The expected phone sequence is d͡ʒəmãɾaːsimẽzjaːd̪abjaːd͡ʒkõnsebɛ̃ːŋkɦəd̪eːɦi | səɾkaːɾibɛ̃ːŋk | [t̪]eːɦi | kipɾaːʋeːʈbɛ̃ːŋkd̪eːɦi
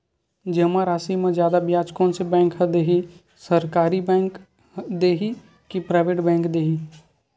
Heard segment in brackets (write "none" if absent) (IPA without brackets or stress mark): d̪